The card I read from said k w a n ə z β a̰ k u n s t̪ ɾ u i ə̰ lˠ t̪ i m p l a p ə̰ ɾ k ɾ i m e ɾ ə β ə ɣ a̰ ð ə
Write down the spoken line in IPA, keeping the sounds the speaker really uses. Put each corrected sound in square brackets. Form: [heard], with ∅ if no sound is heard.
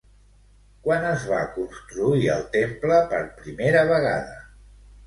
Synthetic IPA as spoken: k w a n ə z β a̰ k u n s t̪ ɾ u i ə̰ lˠ t̪ [e] m p l [ə] p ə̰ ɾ [p] ɾ i m e ɾ ə β ə ɣ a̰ ð ə